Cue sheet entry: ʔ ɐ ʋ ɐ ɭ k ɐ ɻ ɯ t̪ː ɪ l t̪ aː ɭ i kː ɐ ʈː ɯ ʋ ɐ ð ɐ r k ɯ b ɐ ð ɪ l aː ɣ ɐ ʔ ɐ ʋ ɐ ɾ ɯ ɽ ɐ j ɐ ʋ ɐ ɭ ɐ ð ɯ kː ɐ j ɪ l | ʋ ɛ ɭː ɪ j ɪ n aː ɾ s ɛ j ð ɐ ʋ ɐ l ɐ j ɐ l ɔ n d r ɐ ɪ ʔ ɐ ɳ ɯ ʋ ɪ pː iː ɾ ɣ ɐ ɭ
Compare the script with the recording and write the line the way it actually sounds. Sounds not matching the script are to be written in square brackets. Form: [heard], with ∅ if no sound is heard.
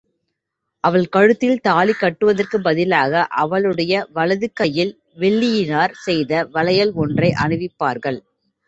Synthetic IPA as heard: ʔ ɐ ʋ ɐ ɭ k ɐ ɻ ɯ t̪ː ɪ l t̪ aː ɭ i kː ɐ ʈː ɯ ʋ ɐ ð ɐ r k ɯ b ɐ ð ɪ l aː ɣ ɐ ʔ ɐ ʋ ɐ [ɭ] ɯ ɽ ɐ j ɐ ʋ ɐ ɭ ɐ ð ɯ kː ɐ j ɪ l | ʋ ɛ ɭː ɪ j ɪ n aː ɾ s ɛ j ð ɐ ʋ ɐ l ɐ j ɐ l ɔ n d r ɐ ɪ ʔ ɐ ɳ ɯ ʋ ɪ pː [aː] ɾ ɣ ɐ ɭ